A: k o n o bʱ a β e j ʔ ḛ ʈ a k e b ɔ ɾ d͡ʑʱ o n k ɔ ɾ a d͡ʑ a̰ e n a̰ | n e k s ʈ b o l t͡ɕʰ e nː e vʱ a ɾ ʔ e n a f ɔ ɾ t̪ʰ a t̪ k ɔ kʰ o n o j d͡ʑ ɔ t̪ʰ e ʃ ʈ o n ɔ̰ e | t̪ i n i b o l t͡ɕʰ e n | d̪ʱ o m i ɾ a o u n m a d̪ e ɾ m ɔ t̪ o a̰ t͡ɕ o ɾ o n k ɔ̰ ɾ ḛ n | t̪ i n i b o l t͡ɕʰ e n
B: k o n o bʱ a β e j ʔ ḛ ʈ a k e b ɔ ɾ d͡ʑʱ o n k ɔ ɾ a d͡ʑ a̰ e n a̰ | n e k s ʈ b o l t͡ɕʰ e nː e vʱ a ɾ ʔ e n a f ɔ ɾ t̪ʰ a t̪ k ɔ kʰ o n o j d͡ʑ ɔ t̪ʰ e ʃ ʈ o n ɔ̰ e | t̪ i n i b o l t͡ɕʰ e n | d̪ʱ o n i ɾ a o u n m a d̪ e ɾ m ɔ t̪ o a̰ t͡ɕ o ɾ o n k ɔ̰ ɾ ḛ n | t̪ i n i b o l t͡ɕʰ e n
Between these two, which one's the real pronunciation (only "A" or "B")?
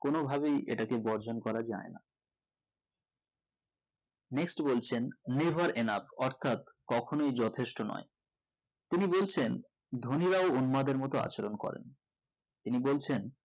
B